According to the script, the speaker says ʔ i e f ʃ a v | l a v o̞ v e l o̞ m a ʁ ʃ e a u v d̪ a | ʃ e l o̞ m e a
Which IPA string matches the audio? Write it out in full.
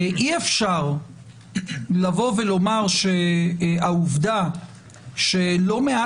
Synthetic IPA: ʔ i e f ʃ a ʁ | l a v o̞ v e l o̞ m a ʁ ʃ e a u v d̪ a | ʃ e l o̞ m e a

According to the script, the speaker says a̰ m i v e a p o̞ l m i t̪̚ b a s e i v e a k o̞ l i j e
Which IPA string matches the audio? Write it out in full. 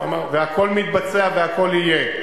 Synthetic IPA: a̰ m a v e a k o̞ l m i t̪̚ b a t͡s e a v e a k o̞ l i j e

